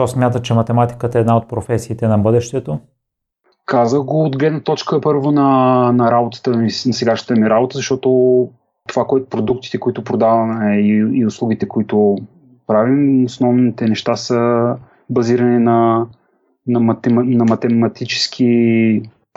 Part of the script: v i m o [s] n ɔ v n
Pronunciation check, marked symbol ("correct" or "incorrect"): correct